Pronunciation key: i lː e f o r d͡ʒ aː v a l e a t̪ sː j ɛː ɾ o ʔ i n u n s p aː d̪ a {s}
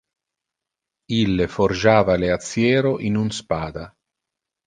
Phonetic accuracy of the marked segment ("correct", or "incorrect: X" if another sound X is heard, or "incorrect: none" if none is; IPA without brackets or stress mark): incorrect: none